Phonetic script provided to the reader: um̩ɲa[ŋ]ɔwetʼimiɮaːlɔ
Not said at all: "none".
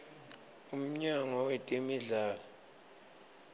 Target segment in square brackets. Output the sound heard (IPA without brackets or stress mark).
ŋ